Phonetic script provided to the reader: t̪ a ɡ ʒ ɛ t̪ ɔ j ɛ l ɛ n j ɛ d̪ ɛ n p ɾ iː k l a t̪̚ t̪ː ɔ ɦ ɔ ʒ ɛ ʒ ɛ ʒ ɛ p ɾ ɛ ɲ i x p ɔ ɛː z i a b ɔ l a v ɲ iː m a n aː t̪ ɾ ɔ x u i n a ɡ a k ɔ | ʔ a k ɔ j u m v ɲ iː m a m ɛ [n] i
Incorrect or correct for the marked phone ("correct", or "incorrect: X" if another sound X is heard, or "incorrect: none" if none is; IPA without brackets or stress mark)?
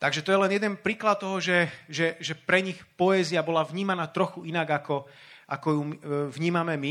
incorrect: m